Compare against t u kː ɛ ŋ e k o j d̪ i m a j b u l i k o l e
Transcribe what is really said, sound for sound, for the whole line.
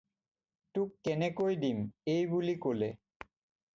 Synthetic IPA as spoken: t u kː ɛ n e k o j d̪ i m e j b u l i k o l e